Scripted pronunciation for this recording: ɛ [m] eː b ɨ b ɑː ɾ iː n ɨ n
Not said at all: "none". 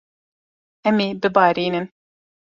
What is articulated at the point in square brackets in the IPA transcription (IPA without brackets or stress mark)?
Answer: m